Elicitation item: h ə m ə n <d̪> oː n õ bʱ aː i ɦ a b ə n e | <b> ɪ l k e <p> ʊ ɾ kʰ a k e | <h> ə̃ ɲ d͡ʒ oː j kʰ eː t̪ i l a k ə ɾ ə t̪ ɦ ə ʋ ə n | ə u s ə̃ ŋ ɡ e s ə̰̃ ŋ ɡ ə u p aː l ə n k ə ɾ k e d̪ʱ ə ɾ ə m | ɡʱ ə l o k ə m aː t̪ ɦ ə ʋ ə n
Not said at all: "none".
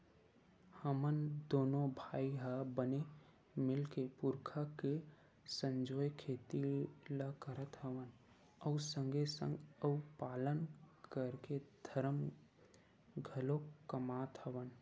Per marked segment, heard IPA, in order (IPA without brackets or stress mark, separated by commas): d̪, m, p, s